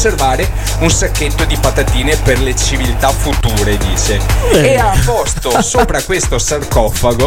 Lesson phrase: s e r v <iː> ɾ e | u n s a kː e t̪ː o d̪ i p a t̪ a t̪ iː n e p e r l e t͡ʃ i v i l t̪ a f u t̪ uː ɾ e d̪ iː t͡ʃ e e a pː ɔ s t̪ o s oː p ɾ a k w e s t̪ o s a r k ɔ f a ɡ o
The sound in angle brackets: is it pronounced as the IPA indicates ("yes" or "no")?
no